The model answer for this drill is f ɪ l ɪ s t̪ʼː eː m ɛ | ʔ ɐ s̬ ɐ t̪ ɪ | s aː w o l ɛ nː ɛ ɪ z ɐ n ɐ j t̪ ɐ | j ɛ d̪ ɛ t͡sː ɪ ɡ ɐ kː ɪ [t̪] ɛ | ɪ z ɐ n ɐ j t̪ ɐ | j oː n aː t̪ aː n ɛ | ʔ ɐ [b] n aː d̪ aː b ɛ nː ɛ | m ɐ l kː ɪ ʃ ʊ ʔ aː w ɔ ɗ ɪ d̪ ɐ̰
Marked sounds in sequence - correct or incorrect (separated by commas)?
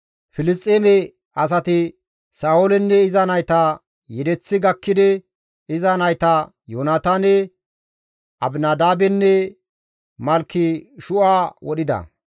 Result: incorrect, correct